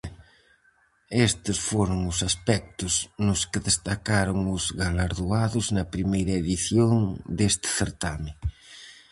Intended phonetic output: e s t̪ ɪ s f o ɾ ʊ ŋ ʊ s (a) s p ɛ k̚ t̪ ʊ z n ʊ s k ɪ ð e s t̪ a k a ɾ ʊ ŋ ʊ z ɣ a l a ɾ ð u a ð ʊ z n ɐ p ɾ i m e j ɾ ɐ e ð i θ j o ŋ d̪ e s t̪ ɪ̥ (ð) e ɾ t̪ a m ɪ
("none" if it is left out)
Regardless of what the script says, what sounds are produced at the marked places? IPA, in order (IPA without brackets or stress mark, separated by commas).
a, θ